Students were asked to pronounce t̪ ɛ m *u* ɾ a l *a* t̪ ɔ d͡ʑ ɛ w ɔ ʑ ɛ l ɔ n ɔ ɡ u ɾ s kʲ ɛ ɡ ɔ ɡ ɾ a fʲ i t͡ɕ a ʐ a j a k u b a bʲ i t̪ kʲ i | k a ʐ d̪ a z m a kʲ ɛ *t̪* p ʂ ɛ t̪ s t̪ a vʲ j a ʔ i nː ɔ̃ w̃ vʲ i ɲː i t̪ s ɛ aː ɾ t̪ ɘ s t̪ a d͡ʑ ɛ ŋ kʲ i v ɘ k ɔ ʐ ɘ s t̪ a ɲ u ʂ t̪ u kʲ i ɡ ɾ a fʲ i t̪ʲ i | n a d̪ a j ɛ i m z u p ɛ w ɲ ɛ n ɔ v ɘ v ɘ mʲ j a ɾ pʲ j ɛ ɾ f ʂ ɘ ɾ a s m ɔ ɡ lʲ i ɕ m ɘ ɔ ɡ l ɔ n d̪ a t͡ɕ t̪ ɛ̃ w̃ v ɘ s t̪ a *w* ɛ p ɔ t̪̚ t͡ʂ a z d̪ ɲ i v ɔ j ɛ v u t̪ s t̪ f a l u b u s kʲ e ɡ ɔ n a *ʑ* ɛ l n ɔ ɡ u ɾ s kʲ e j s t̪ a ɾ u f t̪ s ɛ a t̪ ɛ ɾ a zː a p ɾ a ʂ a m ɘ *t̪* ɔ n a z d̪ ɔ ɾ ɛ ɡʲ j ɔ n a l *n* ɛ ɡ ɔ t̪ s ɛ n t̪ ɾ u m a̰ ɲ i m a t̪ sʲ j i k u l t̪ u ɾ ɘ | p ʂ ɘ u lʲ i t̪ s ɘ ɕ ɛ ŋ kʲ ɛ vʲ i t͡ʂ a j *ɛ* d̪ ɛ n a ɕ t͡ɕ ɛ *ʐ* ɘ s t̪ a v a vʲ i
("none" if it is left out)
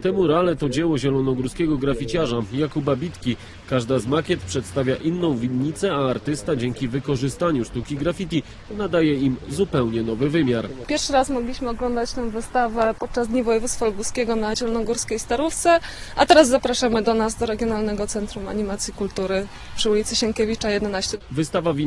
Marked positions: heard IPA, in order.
u, ɛ, t̪, v, ʑ, d̪, n, ɛ, v

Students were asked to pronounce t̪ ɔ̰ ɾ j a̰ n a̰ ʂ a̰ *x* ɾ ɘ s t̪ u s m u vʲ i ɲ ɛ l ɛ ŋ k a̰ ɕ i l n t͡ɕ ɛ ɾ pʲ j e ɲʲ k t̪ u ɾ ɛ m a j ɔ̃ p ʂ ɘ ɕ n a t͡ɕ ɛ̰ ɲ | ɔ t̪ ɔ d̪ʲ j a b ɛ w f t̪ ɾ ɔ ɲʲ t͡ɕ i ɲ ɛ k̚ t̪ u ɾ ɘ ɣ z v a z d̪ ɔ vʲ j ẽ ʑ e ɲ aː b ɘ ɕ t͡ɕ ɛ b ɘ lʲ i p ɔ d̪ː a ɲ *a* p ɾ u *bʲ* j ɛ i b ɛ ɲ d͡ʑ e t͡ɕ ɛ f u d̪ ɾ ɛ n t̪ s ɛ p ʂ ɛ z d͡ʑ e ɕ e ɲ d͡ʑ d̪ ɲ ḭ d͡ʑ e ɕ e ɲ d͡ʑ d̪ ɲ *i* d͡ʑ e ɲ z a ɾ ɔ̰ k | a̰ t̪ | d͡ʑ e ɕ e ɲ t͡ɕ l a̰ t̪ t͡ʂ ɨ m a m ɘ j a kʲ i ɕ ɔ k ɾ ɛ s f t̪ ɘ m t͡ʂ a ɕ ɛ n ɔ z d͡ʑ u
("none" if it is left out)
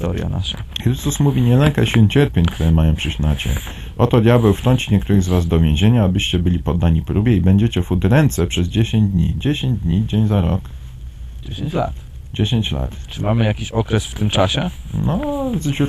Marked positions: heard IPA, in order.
x, i, bʲ, i

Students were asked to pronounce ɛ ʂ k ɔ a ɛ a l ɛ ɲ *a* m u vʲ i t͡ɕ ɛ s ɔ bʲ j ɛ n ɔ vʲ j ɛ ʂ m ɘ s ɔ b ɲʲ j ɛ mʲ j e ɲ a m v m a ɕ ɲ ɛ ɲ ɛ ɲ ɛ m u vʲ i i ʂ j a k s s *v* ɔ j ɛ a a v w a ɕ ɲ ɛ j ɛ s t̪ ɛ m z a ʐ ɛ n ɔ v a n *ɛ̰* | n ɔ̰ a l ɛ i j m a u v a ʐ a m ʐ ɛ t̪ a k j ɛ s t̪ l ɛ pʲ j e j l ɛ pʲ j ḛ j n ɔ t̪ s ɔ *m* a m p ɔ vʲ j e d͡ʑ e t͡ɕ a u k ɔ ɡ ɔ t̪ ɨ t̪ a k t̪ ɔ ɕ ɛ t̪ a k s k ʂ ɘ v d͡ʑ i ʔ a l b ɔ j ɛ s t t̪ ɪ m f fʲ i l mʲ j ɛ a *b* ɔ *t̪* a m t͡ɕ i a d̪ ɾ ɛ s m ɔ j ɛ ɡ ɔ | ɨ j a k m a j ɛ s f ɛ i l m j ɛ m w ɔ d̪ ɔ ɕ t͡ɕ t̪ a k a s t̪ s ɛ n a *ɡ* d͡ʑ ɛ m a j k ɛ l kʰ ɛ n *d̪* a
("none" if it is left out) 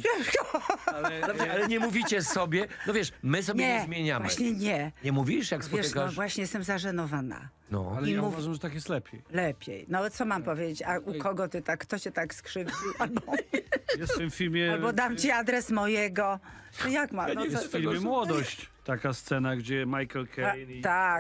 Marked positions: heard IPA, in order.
ɛ, v, a̰, m, b, d̪, ɡ, t̪

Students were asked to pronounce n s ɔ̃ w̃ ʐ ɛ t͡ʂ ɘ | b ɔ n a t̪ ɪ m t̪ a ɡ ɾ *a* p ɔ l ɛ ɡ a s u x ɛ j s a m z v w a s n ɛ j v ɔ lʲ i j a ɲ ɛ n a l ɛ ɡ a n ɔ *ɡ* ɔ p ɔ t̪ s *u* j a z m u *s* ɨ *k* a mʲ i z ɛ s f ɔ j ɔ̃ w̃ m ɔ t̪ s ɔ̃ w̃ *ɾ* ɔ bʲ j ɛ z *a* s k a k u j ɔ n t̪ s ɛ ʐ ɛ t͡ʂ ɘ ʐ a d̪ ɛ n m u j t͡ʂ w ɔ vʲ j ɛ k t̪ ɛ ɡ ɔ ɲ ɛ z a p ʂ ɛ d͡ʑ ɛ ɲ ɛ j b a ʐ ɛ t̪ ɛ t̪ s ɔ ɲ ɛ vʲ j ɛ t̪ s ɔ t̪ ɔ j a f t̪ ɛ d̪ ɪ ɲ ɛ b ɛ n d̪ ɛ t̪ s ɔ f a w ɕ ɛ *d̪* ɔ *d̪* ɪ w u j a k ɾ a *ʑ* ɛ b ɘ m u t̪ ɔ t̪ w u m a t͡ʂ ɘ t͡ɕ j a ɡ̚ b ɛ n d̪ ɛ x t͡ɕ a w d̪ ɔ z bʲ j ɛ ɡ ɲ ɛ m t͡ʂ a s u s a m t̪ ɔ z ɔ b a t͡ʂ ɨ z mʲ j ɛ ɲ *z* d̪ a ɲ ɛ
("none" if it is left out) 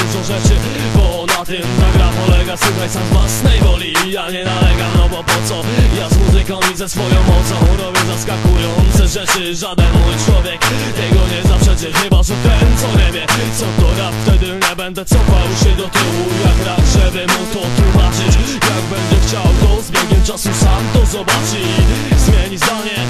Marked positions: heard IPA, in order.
a, b, ɔ, z, k, ɾ, a, d̪, t̪, ʐ, z

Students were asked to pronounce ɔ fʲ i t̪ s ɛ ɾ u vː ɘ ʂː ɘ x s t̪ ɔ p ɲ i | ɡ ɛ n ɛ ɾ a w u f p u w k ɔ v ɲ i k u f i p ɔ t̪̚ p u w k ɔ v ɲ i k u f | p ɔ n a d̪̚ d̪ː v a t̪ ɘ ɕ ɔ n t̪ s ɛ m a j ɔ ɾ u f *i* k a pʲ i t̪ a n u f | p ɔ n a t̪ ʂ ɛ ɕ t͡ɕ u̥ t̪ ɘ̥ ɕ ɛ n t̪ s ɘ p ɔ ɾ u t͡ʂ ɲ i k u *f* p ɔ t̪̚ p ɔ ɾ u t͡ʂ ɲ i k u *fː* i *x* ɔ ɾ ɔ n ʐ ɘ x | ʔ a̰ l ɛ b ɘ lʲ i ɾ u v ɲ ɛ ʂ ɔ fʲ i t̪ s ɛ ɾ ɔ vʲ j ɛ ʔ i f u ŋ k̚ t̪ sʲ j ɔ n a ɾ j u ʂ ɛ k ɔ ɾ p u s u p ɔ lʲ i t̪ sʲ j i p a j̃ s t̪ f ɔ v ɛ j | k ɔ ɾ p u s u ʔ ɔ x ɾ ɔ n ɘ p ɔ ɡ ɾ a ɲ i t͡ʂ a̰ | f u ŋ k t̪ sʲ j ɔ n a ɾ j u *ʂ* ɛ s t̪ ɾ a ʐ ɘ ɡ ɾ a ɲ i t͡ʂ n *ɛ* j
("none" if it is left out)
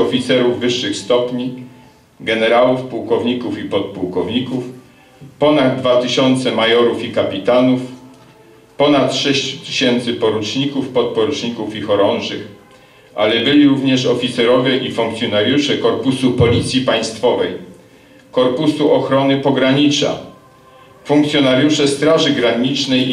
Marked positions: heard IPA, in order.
i, f, f, x, ʂ, ɛ

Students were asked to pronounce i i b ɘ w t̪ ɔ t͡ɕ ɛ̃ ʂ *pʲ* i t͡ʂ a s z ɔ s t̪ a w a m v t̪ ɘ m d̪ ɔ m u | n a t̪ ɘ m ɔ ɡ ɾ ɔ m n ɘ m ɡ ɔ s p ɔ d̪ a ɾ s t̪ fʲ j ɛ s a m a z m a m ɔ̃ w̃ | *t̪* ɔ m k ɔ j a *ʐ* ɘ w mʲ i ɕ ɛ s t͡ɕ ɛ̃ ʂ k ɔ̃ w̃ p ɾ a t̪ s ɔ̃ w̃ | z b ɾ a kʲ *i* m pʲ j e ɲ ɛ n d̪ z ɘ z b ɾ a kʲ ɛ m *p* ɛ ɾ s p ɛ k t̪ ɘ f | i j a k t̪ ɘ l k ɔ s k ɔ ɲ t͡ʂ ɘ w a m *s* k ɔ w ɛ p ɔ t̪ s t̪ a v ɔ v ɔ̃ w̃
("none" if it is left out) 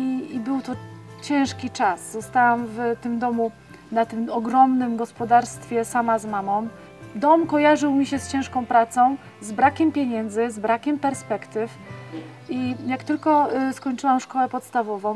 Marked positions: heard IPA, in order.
kʲ, d̪, ʐ, ɛ, p, ʂ

